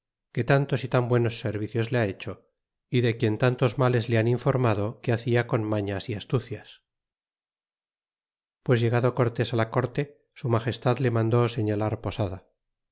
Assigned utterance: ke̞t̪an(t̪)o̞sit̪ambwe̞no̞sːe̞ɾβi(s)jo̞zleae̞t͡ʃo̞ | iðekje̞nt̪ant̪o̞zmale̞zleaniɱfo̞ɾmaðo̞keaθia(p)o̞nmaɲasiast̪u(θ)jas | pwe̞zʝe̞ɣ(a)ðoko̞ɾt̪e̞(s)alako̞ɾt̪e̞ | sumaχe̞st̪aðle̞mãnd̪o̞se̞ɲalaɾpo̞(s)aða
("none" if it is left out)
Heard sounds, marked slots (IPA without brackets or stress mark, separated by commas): t̪, θ, k, θ, a, s, s